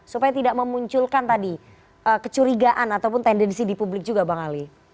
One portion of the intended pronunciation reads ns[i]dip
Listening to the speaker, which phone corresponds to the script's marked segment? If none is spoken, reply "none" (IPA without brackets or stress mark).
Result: i